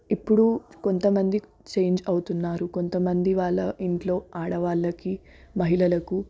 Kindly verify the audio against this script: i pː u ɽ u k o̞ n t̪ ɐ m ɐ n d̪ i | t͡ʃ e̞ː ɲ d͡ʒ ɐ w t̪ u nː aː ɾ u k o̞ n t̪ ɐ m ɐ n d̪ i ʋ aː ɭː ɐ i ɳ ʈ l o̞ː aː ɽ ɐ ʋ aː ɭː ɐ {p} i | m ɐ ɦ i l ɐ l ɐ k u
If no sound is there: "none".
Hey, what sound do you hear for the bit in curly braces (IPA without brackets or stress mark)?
k